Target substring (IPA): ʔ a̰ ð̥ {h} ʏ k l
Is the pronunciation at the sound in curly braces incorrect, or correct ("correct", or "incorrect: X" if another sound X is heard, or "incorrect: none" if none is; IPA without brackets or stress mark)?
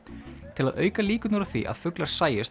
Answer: incorrect: f